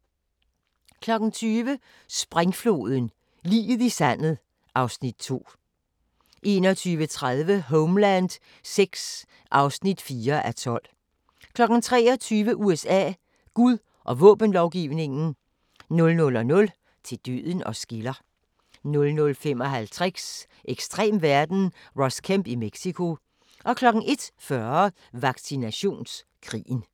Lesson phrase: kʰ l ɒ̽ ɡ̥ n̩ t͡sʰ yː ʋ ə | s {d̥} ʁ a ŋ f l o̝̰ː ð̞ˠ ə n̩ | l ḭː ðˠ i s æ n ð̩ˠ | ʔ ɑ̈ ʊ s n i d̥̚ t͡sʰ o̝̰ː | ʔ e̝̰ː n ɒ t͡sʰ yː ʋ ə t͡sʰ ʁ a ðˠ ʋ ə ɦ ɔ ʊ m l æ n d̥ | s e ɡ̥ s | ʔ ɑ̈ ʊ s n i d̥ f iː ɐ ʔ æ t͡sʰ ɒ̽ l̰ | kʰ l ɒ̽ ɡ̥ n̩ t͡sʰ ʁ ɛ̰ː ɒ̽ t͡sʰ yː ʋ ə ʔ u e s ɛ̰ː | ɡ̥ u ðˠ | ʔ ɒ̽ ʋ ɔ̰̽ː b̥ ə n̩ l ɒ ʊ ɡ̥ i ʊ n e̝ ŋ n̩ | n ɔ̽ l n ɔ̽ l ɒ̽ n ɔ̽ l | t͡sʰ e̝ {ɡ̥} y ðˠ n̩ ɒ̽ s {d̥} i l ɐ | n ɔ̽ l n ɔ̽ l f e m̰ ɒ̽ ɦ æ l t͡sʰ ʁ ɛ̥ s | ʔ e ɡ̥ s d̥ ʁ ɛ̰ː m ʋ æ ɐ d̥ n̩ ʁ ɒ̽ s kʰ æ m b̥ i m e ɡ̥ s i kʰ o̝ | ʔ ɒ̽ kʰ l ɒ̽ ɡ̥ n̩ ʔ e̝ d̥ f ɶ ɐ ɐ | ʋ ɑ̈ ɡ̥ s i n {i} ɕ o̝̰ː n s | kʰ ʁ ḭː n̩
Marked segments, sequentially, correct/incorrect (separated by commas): incorrect, incorrect, incorrect, incorrect